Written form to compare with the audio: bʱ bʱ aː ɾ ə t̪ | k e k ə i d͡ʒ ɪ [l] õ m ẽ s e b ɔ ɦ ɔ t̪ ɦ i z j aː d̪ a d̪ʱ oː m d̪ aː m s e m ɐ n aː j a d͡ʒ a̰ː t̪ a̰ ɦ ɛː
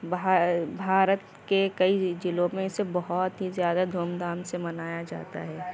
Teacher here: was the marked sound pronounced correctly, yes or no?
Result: yes